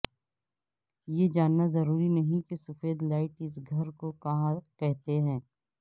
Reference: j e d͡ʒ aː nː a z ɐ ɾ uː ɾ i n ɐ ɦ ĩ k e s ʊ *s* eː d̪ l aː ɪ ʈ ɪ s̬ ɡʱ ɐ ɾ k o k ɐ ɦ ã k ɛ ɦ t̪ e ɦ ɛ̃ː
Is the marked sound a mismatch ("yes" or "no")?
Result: yes